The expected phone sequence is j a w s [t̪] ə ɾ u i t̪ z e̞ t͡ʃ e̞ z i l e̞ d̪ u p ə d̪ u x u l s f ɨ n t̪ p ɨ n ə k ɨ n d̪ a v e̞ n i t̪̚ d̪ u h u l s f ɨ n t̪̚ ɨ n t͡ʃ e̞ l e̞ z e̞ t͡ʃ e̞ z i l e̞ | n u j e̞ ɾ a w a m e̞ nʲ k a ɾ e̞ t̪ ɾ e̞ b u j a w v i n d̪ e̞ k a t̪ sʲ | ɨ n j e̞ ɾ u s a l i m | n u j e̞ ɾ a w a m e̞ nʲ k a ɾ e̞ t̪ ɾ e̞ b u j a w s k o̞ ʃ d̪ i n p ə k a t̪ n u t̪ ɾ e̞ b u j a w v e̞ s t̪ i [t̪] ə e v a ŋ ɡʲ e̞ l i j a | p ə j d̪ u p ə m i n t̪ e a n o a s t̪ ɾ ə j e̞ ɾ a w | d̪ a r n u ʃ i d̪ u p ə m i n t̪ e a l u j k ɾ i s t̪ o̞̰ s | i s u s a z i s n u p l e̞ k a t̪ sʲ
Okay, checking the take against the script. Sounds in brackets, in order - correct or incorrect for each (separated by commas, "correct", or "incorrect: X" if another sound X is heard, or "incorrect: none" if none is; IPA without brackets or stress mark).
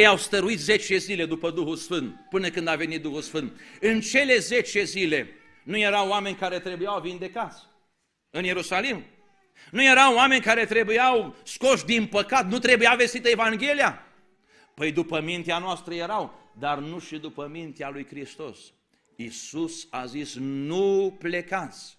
correct, correct